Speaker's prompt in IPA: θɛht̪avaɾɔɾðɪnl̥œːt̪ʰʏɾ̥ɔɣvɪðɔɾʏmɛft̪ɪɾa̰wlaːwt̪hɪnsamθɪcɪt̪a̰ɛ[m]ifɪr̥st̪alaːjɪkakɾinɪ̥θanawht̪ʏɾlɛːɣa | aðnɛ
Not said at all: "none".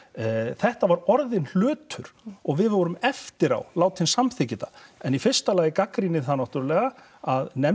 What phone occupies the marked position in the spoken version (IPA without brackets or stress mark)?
n